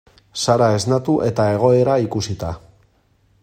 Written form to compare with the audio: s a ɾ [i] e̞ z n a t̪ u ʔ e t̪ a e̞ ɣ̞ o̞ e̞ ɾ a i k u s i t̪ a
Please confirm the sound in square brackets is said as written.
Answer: no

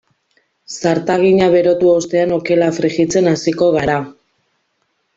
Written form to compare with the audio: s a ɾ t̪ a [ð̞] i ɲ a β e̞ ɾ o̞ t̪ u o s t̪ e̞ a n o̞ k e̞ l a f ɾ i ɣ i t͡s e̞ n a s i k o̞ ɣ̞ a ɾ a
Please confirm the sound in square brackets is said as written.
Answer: no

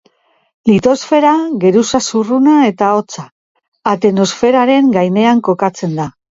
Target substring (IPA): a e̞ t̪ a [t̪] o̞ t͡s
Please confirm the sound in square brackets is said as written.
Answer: no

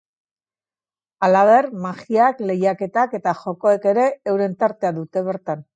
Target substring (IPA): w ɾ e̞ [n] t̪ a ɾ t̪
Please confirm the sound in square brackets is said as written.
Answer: yes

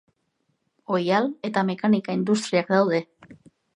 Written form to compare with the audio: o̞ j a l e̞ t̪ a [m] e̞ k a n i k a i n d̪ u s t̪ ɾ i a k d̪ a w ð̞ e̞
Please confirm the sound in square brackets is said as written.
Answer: yes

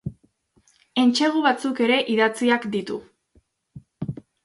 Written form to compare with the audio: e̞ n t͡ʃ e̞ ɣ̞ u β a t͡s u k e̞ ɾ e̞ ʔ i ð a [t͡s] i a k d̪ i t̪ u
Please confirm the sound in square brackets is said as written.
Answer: yes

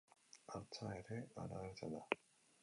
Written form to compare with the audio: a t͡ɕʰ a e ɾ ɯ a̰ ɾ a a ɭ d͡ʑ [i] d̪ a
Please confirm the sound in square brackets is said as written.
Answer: no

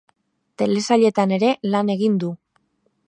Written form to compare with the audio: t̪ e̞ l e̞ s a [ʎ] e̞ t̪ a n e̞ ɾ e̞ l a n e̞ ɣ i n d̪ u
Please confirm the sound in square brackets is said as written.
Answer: yes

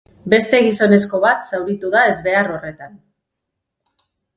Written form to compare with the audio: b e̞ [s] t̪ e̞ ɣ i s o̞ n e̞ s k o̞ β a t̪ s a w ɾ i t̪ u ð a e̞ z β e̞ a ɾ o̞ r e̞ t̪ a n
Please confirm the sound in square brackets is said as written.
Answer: yes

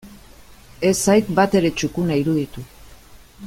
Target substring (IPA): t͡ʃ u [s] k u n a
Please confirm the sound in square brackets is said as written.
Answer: no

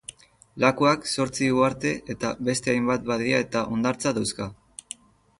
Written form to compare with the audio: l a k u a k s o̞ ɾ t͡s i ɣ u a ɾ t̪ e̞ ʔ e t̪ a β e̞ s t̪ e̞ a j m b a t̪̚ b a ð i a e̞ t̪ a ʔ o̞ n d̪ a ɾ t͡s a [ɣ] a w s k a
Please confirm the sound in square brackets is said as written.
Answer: no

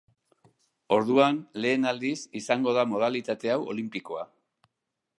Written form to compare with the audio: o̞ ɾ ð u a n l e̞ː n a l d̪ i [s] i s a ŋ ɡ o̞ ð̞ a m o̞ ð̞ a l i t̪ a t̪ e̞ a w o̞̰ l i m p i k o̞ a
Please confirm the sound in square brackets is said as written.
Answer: yes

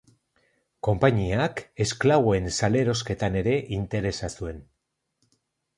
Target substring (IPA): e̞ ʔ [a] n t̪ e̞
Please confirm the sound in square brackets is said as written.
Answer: no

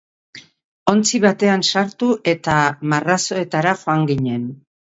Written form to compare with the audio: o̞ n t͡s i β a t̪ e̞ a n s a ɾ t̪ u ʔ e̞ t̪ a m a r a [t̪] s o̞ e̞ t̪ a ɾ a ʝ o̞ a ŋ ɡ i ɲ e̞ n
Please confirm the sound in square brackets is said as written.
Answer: no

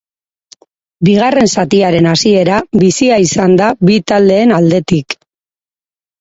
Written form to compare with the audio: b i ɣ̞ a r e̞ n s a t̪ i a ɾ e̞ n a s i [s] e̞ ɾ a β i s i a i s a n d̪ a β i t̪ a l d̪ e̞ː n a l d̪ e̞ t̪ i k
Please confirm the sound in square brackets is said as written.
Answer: no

